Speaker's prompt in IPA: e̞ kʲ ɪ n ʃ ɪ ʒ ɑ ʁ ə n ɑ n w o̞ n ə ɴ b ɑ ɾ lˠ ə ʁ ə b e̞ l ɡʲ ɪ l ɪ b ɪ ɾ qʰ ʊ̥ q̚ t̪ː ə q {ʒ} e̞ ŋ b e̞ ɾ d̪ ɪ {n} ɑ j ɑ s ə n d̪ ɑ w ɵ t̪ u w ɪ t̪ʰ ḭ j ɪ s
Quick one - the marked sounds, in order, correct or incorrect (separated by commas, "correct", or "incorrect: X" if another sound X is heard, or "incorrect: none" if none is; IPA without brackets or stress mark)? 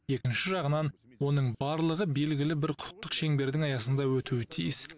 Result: incorrect: ʃ, incorrect: ŋ